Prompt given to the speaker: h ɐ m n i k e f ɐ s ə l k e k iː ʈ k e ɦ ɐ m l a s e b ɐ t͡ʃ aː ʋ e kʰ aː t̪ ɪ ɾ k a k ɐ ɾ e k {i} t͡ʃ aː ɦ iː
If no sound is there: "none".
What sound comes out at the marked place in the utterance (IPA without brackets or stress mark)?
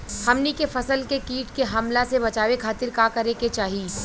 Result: e